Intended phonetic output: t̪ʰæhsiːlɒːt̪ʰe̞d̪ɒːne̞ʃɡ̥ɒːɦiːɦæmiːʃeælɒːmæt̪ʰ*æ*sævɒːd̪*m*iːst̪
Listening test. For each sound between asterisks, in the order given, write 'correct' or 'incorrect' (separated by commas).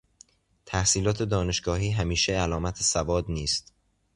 incorrect, incorrect